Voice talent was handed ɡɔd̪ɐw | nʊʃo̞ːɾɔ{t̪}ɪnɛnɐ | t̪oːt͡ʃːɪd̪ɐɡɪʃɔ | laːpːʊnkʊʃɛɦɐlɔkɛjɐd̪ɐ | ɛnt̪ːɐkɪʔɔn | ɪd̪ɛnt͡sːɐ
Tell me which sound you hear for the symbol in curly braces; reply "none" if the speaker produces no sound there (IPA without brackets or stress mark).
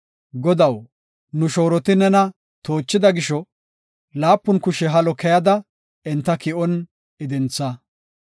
t̪